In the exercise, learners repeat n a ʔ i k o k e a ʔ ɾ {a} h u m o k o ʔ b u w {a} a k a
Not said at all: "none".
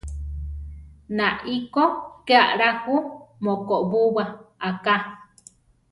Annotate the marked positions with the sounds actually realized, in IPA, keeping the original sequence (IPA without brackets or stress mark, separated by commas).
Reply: a, a